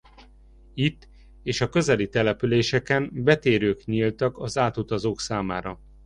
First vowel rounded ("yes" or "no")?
no